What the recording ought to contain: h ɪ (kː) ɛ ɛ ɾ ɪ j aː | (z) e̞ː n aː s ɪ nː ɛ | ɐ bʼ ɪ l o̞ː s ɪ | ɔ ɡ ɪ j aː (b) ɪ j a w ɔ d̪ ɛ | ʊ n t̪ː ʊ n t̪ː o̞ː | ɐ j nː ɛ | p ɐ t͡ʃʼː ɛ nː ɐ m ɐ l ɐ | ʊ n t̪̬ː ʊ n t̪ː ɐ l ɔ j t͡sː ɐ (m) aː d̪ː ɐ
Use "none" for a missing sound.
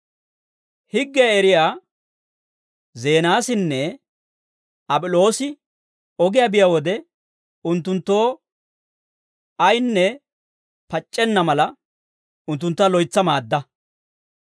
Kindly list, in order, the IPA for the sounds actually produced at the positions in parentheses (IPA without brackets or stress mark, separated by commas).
ɡː, z, b, m